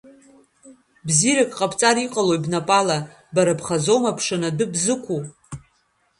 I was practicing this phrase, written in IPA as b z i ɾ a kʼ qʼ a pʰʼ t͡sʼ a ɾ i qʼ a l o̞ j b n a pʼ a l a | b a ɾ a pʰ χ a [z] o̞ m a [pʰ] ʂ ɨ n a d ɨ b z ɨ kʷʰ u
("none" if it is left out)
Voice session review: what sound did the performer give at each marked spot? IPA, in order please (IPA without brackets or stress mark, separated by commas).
z, pʰ